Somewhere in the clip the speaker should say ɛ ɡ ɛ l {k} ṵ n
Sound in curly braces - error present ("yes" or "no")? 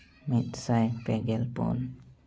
yes